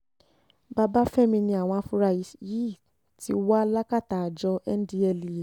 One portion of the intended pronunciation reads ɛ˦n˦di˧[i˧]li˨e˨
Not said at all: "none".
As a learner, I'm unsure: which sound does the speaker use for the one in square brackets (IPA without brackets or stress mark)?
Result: ɛ˧